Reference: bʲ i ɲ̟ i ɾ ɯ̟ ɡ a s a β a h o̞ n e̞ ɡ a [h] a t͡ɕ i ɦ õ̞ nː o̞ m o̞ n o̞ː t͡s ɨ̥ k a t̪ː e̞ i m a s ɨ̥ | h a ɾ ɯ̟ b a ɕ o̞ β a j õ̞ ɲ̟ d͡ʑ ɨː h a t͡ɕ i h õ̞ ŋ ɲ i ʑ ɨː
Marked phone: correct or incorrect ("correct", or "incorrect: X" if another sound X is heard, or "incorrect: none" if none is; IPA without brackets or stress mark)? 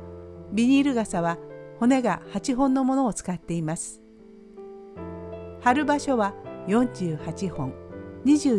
correct